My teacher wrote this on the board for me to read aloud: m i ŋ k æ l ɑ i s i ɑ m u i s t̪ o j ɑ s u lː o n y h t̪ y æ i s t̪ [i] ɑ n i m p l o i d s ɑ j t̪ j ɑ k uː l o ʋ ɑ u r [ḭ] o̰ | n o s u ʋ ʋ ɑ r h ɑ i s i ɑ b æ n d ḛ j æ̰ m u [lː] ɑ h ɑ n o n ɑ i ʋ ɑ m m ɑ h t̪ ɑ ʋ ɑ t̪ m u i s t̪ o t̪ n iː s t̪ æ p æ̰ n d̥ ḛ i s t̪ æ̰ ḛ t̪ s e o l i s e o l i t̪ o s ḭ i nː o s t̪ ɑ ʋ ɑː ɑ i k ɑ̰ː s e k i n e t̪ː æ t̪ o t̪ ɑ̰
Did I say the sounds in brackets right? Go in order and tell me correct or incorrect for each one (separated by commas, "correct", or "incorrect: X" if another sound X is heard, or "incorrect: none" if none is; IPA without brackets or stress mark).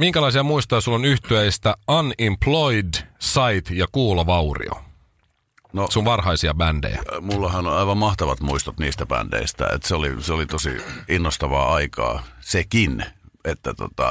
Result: incorrect: æ, correct, correct